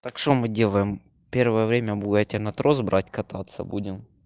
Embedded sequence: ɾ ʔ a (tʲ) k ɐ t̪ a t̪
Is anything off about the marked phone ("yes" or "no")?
no